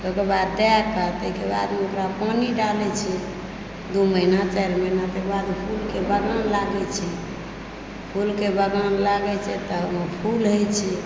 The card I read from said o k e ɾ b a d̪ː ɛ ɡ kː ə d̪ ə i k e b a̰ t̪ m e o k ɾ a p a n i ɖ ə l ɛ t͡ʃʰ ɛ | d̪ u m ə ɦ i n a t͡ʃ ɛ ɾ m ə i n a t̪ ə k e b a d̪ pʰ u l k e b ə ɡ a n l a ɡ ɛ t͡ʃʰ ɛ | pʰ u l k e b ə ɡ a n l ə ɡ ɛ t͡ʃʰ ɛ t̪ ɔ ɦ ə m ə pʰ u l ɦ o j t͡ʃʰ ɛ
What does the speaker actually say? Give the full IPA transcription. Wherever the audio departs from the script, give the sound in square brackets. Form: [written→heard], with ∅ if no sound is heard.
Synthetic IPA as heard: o k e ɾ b a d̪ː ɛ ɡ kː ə [d̪→t̪] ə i k e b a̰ [t̪→d̪] m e o k ɾ a p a n i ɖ [ə→a] l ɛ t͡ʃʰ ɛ | d̪ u m ə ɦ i n a t͡ʃ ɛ ɾ m ə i n a t̪ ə k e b a d̪ pʰ u l k e b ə ɡ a n l a ɡ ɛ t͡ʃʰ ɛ | pʰ u l k e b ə ɡ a n l [ə→a] ɡ ɛ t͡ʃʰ ɛ t̪ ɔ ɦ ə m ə pʰ u l ɦ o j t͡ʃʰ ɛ